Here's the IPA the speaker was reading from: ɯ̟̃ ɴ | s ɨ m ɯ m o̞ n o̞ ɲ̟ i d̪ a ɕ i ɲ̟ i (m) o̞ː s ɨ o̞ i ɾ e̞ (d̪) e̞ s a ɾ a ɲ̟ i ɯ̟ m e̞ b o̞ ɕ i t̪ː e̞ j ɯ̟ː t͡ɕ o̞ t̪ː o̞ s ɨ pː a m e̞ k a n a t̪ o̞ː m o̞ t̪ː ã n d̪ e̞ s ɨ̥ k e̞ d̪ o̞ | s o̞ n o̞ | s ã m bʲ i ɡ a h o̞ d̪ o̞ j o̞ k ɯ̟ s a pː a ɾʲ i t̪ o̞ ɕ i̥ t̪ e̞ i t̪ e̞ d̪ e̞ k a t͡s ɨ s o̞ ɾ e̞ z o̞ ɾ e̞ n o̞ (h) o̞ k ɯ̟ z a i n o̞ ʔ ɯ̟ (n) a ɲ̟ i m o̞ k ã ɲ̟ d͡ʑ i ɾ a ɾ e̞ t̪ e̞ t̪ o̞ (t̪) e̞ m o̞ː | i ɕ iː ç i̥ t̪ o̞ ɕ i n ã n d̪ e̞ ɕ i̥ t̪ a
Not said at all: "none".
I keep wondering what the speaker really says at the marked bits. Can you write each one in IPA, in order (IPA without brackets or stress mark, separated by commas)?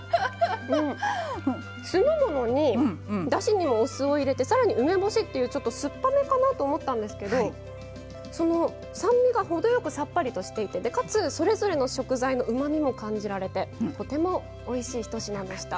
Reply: m, t̪, ɕ, m, t̪